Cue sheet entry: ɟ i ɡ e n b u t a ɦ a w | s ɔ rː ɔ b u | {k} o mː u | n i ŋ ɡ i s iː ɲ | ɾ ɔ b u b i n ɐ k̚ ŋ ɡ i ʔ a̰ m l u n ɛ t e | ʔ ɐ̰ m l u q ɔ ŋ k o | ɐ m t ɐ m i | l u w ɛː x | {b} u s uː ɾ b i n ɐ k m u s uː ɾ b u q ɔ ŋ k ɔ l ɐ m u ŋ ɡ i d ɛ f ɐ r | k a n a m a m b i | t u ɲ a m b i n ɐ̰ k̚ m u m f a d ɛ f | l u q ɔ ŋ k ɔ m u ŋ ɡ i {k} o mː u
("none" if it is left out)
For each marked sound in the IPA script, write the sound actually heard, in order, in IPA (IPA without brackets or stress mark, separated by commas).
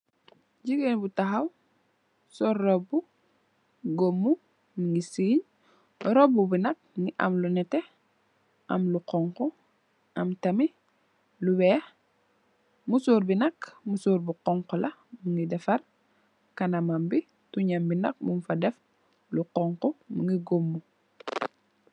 ɡ, m, ɡ